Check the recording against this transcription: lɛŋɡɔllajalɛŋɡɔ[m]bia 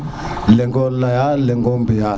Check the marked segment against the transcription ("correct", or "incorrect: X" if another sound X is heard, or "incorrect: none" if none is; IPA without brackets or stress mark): correct